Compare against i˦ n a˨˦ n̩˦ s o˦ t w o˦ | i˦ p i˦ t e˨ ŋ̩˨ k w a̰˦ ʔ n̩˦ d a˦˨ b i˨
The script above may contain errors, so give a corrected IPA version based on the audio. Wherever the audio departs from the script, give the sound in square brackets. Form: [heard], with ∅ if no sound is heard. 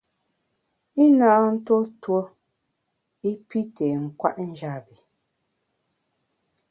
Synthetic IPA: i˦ n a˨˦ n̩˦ [t] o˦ t w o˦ | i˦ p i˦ t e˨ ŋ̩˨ k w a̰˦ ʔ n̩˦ [d͡ʒ] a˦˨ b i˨